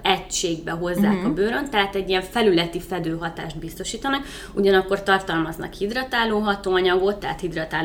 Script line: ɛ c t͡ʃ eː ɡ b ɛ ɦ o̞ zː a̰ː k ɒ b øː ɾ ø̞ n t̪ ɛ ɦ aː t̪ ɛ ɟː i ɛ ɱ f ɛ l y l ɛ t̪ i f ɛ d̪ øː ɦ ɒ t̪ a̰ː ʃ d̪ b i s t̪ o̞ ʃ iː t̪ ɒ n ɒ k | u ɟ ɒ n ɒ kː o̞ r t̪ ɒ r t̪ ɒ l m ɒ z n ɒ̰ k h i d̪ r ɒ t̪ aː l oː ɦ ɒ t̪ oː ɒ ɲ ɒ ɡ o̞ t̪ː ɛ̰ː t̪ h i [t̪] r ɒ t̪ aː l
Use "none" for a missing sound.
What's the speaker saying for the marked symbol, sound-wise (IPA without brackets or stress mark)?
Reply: d̪